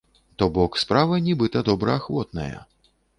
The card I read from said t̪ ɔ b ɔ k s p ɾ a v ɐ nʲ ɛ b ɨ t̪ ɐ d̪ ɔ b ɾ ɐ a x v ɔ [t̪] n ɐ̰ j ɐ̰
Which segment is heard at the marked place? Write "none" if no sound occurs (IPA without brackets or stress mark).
t̪